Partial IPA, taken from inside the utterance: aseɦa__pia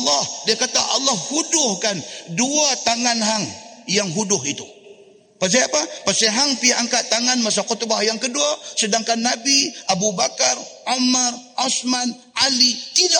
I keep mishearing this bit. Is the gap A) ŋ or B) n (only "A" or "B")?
A